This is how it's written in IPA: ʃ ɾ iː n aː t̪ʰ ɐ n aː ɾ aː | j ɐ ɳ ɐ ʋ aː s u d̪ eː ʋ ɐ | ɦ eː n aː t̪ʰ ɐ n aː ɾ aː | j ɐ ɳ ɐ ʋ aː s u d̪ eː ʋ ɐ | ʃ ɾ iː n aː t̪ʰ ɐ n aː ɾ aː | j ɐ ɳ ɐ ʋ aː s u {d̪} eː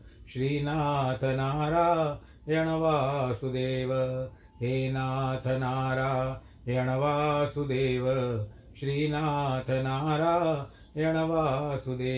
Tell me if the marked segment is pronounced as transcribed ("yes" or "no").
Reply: yes